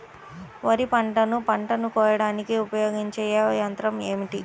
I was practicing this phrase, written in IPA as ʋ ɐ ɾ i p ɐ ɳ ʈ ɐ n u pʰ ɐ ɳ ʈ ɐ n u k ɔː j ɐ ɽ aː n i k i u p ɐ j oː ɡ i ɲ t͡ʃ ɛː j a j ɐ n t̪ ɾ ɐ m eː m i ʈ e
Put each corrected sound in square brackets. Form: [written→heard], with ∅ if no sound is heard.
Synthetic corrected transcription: ʋ ɐ ɾ i p ɐ ɳ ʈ ɐ n u [pʰ→p] ɐ ɳ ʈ ɐ n u k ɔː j ɐ ɽ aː n i k i u p ɐ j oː ɡ i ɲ t͡ʃ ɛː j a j ɐ n t̪ ɾ ɐ m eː m i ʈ [e→i]